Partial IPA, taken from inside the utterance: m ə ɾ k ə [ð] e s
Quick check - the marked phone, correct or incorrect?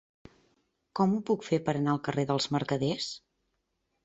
correct